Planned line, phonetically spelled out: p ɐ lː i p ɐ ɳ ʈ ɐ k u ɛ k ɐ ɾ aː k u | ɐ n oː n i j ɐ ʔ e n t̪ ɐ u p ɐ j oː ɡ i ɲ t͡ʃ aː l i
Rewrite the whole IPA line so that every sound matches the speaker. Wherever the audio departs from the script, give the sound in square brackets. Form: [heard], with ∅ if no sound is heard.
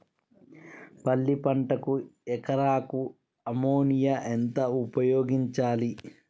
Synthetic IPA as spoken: p ɐ lː i p ɐ ɳ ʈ ɐ k u ɛ k ɐ ɾ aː k u | ɐ [m] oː n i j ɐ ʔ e n t̪ ɐ u p ɐ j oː ɡ i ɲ t͡ʃ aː l i